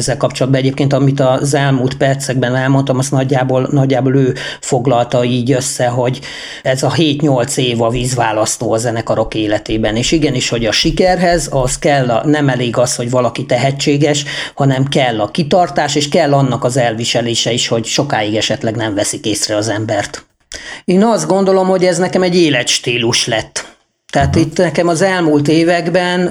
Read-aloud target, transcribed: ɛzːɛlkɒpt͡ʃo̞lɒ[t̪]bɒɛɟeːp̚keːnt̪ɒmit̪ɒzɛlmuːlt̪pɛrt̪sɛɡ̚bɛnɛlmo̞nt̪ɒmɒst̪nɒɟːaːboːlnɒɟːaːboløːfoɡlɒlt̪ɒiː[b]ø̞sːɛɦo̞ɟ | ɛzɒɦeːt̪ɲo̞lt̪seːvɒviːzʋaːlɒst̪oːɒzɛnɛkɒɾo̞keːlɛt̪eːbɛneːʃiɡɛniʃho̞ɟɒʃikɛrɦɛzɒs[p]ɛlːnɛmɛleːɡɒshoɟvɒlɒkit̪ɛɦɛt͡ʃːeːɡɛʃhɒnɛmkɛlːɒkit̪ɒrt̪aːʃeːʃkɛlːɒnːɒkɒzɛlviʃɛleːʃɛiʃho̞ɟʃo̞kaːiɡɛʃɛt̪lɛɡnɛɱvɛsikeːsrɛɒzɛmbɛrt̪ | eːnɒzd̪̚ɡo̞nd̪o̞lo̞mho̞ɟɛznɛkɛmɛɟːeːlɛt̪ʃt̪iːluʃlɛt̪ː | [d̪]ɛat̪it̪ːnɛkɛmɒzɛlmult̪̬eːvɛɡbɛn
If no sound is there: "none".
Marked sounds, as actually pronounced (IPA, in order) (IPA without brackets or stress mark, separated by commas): d̪, ɟ, k, t̪